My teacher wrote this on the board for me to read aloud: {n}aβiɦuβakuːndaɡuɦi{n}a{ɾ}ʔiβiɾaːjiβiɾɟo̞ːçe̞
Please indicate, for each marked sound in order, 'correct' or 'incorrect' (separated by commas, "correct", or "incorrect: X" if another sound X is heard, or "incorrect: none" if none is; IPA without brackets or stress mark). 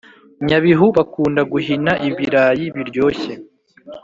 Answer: incorrect: ɲ, correct, incorrect: none